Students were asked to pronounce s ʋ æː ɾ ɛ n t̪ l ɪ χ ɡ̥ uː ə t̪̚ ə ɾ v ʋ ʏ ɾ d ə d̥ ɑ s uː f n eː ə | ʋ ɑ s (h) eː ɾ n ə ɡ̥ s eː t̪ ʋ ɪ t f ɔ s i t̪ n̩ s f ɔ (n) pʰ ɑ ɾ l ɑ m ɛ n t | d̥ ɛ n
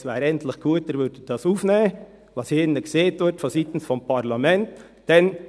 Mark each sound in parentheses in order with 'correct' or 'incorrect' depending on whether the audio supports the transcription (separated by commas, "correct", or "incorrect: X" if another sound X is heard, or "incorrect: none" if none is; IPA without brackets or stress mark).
correct, incorrect: m